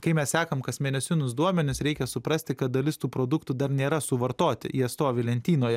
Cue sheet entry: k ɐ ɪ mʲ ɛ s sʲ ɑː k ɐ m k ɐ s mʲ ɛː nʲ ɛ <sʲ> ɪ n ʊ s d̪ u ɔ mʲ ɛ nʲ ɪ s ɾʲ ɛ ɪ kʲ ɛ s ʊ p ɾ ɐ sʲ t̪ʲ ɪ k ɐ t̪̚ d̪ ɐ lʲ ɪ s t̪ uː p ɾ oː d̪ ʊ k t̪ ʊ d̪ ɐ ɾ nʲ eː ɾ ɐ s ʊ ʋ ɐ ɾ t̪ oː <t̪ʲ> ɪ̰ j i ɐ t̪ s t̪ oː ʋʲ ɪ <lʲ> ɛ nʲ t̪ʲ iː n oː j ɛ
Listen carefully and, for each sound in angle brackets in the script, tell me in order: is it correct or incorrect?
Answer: correct, correct, correct

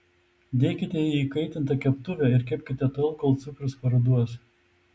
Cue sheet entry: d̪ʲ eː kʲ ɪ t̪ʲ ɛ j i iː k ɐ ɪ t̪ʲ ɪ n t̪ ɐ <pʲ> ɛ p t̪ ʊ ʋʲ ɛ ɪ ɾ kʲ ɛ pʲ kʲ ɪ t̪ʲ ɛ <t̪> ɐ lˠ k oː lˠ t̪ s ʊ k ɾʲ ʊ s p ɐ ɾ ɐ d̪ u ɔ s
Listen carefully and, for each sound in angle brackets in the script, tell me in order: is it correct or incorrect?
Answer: incorrect, correct

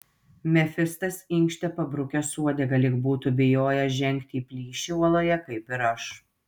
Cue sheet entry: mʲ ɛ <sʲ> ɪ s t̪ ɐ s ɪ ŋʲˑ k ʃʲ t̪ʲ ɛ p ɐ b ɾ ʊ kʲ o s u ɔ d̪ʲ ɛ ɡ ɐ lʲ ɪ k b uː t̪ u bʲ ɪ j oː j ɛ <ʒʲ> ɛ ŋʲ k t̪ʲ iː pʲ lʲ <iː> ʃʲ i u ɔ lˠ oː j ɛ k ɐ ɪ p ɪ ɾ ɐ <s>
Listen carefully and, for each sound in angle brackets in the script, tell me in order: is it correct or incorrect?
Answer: incorrect, correct, correct, incorrect

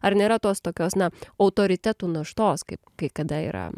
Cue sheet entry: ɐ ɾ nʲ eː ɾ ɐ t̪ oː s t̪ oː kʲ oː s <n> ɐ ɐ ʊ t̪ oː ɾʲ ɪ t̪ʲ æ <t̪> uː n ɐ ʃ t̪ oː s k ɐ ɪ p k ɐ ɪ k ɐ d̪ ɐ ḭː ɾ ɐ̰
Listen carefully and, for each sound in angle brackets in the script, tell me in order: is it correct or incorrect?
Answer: correct, correct

